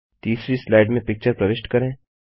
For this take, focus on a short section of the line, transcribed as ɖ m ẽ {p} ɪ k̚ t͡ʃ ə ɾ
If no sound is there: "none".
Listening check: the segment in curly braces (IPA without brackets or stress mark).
p